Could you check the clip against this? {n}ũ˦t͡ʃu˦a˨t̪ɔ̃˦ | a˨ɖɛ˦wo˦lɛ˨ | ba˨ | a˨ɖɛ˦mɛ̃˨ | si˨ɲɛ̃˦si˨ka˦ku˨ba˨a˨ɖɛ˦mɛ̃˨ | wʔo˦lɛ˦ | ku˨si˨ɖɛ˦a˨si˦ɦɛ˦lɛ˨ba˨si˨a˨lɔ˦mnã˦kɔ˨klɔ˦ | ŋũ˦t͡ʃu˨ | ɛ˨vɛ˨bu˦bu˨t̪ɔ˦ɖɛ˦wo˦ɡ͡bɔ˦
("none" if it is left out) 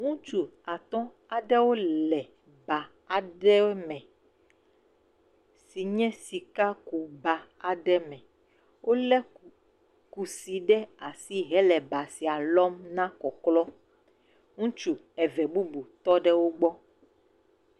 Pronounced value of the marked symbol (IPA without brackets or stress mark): ŋ